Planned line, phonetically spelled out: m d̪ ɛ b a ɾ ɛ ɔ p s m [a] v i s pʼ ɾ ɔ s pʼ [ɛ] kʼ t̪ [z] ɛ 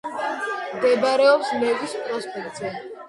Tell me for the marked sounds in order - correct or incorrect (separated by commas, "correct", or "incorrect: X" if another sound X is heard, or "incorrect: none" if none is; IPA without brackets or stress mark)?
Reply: incorrect: ɛ, correct, correct